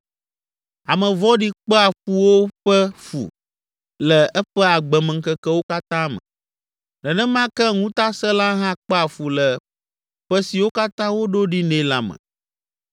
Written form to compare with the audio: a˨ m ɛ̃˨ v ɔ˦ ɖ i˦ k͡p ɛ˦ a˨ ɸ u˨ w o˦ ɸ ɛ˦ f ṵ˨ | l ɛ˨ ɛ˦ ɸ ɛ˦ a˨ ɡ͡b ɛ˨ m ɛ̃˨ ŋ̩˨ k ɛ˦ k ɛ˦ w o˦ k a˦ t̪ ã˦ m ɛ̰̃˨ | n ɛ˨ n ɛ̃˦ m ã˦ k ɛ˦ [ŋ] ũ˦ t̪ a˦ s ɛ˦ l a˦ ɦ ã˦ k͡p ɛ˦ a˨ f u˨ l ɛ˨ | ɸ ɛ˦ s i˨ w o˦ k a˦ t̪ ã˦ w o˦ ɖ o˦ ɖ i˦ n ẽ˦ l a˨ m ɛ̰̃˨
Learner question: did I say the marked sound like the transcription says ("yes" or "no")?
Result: yes